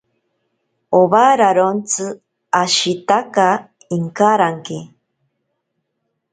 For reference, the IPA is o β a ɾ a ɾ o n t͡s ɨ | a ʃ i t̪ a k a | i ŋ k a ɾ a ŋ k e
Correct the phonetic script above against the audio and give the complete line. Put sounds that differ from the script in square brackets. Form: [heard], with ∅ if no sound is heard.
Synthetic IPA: o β a ɾ a ɾ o n t͡s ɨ | a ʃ i t̪ a k a | i ŋ k a ɾ a ŋ k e